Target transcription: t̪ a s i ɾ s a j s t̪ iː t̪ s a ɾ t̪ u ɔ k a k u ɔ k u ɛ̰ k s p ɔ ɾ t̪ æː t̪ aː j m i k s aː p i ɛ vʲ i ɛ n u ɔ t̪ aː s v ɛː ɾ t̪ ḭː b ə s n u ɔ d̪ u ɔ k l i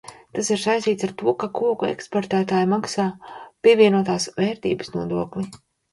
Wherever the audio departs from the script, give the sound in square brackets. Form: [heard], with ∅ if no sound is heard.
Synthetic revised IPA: t̪ a s i ɾ s a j s t̪ iː t̪ s a ɾ t̪ u ɔ k a k u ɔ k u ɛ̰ k s p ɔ ɾ t̪ æː t̪ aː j m [a] k s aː p i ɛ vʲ i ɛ n u ɔ t̪ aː s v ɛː ɾ t̪ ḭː b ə s n u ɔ d̪ u ɔ k l i